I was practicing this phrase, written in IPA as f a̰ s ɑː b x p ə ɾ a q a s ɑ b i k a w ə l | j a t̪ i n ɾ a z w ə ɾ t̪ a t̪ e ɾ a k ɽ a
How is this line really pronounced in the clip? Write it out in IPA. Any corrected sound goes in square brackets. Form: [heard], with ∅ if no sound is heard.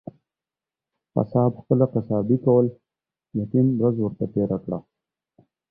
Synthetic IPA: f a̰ s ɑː b x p ə [l] a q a s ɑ b i k a w ə l | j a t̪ i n ɾ a z w ə ɾ t̪ a t̪ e ɾ a k ɽ a